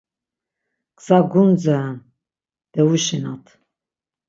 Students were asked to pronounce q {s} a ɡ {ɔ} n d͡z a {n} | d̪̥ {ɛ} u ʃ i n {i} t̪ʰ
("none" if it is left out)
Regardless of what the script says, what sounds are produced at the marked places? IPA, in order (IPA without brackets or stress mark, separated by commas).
s, u, n, ɛ, a